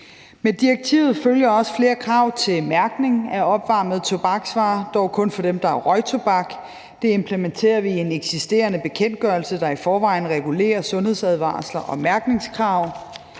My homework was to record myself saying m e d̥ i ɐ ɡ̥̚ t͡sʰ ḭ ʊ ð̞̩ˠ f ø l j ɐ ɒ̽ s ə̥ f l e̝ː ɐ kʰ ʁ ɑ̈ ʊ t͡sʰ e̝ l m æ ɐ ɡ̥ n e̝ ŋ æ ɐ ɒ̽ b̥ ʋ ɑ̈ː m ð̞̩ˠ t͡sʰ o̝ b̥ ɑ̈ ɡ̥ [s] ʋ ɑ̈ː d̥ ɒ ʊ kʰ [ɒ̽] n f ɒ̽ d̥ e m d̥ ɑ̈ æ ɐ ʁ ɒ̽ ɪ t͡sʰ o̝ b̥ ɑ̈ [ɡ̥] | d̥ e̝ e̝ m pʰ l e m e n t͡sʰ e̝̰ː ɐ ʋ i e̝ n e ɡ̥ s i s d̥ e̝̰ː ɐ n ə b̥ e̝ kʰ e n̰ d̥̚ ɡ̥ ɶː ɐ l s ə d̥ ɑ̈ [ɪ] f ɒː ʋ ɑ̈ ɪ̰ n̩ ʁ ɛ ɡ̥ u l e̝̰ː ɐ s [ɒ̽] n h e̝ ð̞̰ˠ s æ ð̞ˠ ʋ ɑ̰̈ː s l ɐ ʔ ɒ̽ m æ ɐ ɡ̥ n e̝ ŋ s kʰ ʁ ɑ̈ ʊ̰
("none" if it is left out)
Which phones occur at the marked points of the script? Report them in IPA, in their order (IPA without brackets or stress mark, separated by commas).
s, ɔ̽, ɡ̥, i, ɔ̽